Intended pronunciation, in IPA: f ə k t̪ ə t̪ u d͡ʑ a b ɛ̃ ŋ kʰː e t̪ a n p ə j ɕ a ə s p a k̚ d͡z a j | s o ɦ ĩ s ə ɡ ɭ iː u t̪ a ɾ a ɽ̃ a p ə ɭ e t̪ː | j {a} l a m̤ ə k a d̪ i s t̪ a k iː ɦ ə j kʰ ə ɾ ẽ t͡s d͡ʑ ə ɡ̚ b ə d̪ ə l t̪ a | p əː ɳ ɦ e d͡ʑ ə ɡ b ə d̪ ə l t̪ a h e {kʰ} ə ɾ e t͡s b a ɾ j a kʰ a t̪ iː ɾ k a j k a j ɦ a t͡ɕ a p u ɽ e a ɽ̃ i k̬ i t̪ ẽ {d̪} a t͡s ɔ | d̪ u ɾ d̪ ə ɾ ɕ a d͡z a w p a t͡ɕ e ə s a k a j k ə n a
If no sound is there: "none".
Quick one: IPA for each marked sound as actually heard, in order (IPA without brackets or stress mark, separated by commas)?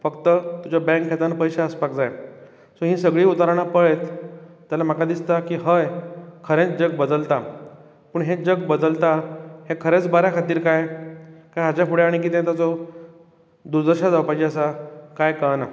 a, kʰ, t̪